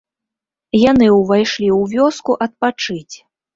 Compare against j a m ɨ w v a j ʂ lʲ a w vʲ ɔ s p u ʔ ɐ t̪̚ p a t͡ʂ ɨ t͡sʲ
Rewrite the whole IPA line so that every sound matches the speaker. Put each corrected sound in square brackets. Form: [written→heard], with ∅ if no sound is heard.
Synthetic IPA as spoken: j a [m→n] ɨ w v a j ʂ lʲ [a→i] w vʲ ɔ s [p→k] u ʔ ɐ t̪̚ p a t͡ʂ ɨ t͡sʲ